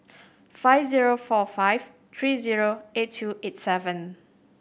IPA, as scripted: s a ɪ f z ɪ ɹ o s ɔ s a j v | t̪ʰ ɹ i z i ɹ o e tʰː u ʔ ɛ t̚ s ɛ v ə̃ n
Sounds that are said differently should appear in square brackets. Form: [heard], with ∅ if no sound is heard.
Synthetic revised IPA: [f] a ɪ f z [i] ɹ o [f] ɔ [f] a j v | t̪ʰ ɹ i z i ɹ o e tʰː u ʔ [e] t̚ s ɛ v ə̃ n